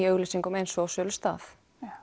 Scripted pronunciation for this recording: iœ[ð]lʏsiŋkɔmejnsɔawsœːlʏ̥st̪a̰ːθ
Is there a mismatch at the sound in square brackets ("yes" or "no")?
yes